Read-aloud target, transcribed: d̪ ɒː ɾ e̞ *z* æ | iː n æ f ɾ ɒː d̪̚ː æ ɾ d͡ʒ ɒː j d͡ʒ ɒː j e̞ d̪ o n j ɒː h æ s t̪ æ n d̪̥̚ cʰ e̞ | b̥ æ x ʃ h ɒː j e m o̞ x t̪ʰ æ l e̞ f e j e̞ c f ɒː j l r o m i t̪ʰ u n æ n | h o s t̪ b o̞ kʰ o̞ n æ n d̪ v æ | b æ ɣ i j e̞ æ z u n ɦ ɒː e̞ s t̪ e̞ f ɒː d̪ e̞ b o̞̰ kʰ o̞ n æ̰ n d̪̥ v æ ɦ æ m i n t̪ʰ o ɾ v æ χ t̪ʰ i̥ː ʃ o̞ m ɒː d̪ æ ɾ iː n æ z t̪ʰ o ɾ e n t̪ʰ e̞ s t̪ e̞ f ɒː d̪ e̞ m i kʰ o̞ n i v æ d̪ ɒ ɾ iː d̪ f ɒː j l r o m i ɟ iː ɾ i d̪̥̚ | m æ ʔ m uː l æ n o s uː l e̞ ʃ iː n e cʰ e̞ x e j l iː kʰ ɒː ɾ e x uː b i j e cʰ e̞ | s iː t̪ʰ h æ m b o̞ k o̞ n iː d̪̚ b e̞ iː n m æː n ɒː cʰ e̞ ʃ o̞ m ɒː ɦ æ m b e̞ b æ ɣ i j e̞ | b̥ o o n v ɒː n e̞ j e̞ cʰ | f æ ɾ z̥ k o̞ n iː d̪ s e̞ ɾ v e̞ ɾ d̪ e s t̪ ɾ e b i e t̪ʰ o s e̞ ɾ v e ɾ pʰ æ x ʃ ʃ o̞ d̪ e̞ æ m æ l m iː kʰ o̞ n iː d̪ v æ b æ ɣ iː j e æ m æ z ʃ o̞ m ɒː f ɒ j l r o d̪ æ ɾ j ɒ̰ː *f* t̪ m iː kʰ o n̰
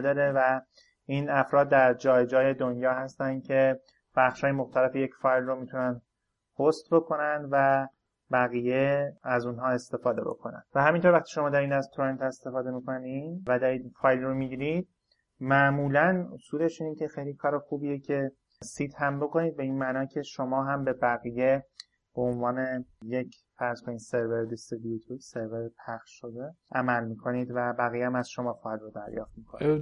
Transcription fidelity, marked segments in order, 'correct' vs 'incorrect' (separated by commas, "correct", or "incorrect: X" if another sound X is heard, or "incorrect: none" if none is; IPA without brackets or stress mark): incorrect: v, correct